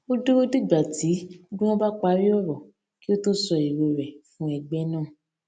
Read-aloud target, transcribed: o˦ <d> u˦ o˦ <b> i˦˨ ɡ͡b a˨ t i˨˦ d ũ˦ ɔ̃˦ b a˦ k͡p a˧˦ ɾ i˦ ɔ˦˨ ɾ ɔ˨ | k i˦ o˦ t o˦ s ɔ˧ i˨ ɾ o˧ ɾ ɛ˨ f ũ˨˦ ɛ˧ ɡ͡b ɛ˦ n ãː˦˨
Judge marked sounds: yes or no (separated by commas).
yes, no